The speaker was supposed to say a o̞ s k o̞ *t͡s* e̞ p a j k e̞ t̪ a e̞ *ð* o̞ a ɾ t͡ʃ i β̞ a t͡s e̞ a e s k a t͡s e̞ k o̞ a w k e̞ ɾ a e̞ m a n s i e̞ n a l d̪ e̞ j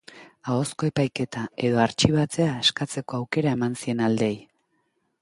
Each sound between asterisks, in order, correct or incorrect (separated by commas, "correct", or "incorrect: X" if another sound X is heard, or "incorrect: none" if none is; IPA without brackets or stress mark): incorrect: none, correct